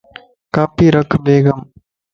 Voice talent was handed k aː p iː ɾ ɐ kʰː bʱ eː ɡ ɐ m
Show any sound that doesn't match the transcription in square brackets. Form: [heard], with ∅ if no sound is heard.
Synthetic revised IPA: k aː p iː ɾ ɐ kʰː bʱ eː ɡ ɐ m